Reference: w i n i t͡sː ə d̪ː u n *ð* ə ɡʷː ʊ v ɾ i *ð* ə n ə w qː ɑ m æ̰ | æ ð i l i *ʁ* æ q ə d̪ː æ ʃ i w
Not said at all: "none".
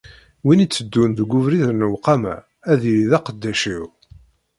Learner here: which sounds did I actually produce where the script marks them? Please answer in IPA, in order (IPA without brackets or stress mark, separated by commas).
ð, ð, ð